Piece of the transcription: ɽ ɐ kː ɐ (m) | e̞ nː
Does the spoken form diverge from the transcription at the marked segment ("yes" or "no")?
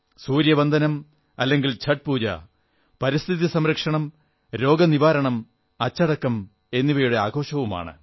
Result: no